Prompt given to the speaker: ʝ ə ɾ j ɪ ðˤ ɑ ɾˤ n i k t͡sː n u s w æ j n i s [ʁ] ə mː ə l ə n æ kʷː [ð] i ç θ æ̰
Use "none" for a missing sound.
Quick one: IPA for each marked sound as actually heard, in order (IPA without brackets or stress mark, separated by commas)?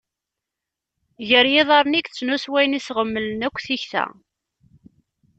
ʁ, θ